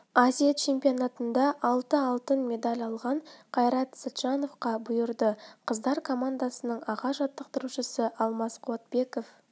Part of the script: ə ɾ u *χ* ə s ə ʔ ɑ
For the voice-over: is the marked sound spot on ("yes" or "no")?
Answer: no